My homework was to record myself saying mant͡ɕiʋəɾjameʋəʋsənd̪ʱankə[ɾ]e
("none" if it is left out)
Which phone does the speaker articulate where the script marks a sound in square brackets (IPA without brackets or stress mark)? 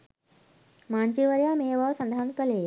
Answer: l